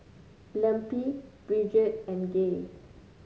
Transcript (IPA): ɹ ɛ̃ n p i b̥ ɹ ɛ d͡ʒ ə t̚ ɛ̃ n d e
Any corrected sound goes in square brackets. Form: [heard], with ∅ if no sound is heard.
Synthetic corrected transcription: [l] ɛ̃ [m] p i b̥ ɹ [i] d͡ʒ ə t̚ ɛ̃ n [ɡ] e